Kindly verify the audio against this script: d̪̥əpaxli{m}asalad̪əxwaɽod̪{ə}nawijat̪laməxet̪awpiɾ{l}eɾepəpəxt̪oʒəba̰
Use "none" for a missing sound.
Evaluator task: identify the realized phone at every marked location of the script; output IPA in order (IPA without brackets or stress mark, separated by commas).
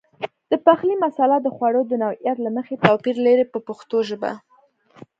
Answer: m, ə, l